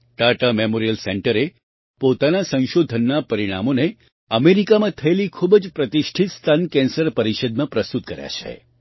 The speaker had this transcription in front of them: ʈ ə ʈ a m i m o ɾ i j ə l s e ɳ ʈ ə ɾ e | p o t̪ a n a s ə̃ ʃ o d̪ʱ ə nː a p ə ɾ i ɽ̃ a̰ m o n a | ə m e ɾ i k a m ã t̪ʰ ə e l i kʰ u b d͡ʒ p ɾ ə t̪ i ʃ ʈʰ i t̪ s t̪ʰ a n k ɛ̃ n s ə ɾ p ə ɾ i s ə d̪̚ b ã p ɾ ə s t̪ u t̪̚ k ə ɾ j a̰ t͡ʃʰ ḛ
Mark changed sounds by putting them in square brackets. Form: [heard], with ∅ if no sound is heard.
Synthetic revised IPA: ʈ [a] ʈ a m [e] m o ɾ i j ə l s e ɳ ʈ ə ɾ e | p o t̪ a n a s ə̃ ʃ o d̪ʱ ə nː a p ə ɾ i ɽ̃ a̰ m o n [e] | ə m e ɾ i k a m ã t̪ʰ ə e l i kʰ u b d͡ʒ p ɾ ə t̪ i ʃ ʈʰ i t̪ s t̪ʰ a n k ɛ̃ n s ə ɾ p ə ɾ i [ʃ] ə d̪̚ [m] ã p ɾ ə s t̪ u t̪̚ k ə ɾ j a̰ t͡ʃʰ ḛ

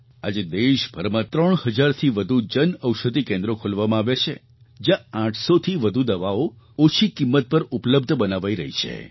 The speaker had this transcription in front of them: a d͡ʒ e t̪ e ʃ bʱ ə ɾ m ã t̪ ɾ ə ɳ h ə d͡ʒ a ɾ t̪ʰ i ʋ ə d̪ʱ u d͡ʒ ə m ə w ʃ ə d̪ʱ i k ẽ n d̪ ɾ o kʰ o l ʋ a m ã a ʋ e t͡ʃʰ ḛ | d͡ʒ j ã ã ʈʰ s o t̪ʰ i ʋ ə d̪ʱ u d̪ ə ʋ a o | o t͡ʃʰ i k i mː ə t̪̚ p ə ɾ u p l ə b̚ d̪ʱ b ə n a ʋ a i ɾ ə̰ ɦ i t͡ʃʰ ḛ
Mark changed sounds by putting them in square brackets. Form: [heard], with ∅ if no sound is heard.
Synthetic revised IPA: a d͡ʒ e [d̪] e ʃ bʱ ə ɾ m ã t̪ ɾ ə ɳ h ə d͡ʒ a ɾ t̪ʰ i ʋ ə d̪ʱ u d͡ʒ ə [n] ə w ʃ ə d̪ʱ i k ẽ n d̪ ɾ o kʰ o l ʋ a m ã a ʋ e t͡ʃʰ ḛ | d͡ʒ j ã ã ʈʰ s o t̪ʰ i ʋ ə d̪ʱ u d̪ ə ʋ a o | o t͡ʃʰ i k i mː ə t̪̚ p ə ɾ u p l ə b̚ d̪ʱ b ə n a ʋ a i ɾ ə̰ ɦ i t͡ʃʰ ḛ

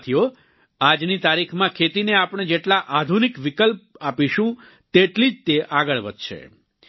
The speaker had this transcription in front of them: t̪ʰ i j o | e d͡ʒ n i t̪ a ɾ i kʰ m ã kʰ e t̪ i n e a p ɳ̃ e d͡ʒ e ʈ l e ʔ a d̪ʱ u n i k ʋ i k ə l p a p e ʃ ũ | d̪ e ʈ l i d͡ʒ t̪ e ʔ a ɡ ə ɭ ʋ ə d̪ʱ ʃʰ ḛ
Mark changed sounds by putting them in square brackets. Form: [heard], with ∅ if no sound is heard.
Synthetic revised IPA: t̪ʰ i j o | [a] d͡ʒ n i t̪ a ɾ i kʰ m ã kʰ e t̪ i n e a p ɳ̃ e d͡ʒ e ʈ l [a] ʔ a d̪ʱ u n i k ʋ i k ə l p a p [i] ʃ ũ | [t̪] e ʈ l i d͡ʒ t̪ e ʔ a ɡ ə ɭ ʋ ə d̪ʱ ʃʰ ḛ

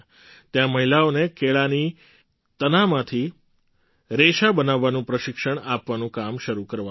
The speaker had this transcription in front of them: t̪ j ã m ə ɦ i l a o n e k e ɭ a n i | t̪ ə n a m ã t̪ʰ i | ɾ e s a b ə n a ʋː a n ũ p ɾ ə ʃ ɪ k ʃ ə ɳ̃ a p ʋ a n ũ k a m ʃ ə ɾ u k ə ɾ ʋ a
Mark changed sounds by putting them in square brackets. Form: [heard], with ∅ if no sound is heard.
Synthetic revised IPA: t̪ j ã m ə ɦ i l a o n e k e ɭ a n i | t̪ ə n a m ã t̪ʰ i | ɾ e [ʃ] a b ə n a ʋː a n ũ p ɾ ə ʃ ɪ k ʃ ə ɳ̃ a p ʋ a n ũ k a m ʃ ə ɾ u k ə ɾ ʋ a

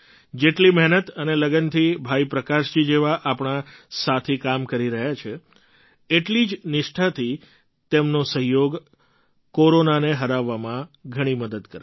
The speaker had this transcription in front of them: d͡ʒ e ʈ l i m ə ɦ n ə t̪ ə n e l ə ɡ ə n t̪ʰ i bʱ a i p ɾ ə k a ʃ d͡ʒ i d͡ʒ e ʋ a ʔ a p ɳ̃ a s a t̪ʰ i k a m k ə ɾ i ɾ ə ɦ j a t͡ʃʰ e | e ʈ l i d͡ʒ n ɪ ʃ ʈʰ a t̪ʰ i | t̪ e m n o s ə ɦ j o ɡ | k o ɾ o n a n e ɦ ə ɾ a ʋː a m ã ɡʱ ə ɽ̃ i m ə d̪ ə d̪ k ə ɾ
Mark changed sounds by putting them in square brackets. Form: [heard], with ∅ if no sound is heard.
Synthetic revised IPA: d͡ʒ e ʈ l i m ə ɦ n ə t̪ ə n e l ə ɡ ə n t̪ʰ i bʱ a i p ɾ ə k a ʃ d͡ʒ i d͡ʒ e ʋ a ʔ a p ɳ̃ a s a t̪ʰ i k a m k ə ɾ i ɾ ə ɦ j a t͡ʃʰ e | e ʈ l i d͡ʒ n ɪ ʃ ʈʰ a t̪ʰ i | t̪ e m n o s ə ɦ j o ɡ | k o ɾ o n a n e ɦ ə ɾ a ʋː a m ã ɡʱ ə ɽ̃ i m ə d̪ ə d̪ k ə ɾ

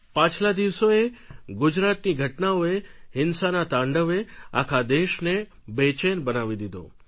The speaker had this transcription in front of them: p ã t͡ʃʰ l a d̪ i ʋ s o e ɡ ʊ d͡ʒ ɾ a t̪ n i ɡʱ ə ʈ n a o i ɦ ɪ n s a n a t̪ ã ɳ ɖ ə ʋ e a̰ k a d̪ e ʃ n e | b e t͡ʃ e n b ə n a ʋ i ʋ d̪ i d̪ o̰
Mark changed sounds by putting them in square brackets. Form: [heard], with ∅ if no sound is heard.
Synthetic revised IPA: p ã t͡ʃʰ l a d̪ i ʋ s o e ɡ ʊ d͡ʒ ɾ a t̪ n i ɡʱ ə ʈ n a o [e] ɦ ɪ n s a n a t̪ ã ɳ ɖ ə ʋ e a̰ [kʰ] a d̪ e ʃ n e | b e t͡ʃ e n b ə n a ʋ i [∅] d̪ i d̪ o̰

